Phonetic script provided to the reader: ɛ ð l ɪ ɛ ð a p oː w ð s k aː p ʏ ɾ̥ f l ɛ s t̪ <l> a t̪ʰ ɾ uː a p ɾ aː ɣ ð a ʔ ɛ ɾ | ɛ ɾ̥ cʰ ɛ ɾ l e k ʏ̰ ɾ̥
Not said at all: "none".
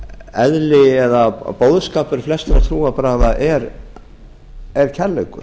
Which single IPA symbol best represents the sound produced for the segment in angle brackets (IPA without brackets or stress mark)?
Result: ɾ